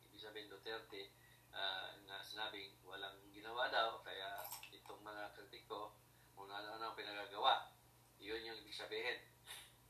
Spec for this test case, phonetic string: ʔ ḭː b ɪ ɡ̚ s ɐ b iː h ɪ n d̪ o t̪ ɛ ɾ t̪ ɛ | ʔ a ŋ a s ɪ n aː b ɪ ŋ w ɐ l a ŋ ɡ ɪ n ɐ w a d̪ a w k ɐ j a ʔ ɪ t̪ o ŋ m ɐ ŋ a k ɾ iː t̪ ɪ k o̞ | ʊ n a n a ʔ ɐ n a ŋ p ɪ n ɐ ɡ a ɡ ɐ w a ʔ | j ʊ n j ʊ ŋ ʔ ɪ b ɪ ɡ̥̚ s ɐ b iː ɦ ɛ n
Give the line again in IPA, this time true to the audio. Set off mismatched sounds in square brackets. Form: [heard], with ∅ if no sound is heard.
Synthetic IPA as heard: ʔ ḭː b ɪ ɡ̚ s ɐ b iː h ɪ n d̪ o t̪ ɛ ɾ t̪ ɛ | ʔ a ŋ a s ɪ n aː b ɪ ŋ w ɐ l a ŋ ɡ ɪ n ɐ w a d̪ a w k ɐ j a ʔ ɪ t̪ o ŋ m ɐ ŋ a k ɾ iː t̪ ɪ k o̞ | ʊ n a n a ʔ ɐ n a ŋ p ɪ n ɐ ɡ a ɡ ɐ w a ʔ | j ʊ n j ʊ ŋ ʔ ɪ b ɪ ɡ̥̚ s ɐ b iː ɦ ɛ n